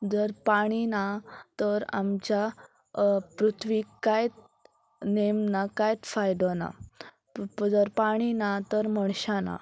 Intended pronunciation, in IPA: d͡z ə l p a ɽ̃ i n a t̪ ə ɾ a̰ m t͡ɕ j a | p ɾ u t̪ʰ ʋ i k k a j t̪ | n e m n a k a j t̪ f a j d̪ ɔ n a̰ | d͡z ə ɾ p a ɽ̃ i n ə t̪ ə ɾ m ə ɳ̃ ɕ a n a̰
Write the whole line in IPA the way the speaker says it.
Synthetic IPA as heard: d͡z ə ɾ p a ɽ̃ i n a t̪ ə ɾ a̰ m t͡ɕ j a | p ɾ u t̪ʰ ʋ i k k a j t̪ | n e m n a k a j t̪ f a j d̪ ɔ n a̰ | d͡z ə ɾ p a ɽ̃ i n a t̪ ə ɾ m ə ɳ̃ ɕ a n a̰